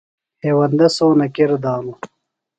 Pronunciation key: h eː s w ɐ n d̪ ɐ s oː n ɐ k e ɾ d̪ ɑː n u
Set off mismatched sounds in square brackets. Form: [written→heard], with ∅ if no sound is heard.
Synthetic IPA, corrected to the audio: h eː [s→∅] w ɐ n d̪ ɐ s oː n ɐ k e ɾ d̪ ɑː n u